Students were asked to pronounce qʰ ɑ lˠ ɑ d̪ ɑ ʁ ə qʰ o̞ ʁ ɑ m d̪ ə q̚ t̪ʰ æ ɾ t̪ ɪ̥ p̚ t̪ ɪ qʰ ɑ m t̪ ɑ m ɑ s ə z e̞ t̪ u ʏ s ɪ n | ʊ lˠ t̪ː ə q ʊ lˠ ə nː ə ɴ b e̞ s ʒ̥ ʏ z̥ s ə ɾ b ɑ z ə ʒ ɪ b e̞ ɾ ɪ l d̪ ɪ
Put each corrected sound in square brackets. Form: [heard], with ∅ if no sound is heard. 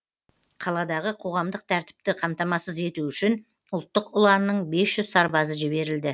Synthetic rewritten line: qʰ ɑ lˠ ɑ d̪ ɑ ʁ ə qʰ o̞ ʁ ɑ m d̪ ə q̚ t̪ʰ æ ɾ t̪ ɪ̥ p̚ t̪ ɪ qʰ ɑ m t̪ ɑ m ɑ s ə z e̞ t̪ u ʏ [ʃ] ɪ n | ʊ lˠ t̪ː ə q ʊ lˠ [ɑ] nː ə ɴ b e̞ s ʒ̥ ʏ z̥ s [ɑ] ɾ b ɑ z ə ʒ ɪ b e̞ ɾ ɪ l d̪ ɪ